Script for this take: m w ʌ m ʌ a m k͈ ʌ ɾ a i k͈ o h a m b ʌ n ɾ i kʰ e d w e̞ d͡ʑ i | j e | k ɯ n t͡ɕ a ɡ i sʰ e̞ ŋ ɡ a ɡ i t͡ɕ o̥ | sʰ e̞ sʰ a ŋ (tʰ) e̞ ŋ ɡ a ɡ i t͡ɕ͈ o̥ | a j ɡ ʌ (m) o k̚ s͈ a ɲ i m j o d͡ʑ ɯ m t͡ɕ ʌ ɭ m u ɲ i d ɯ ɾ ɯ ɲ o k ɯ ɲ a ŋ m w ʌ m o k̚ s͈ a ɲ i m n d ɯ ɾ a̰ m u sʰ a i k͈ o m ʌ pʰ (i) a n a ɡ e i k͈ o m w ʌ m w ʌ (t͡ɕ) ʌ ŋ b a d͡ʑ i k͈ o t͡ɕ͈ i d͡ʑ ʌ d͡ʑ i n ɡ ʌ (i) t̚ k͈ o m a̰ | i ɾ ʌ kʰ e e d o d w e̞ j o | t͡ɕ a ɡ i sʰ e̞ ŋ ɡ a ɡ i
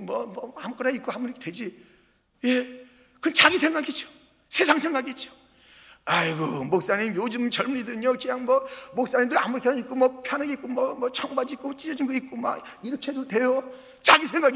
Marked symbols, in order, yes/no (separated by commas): no, yes, no, no, yes